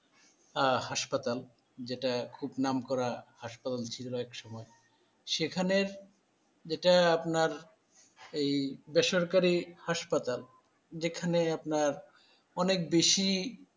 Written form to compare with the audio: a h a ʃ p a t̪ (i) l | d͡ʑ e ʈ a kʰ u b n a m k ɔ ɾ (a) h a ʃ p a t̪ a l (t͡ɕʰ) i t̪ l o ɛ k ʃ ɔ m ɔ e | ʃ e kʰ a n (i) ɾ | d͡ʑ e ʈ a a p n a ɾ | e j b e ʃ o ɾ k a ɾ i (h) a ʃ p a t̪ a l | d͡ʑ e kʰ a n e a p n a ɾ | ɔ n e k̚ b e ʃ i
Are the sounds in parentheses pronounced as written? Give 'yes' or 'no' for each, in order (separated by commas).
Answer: no, yes, yes, no, yes